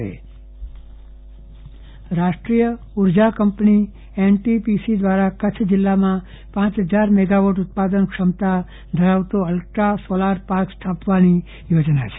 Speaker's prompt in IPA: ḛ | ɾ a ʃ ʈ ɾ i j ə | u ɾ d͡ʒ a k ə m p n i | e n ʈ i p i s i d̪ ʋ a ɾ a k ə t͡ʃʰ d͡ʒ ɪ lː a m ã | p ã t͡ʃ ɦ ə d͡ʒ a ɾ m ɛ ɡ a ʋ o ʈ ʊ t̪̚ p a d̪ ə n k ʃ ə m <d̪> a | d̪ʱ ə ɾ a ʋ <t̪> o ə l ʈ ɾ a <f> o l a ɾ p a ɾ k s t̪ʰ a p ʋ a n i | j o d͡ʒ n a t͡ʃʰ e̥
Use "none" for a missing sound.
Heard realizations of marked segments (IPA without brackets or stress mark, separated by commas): t̪, t̪, s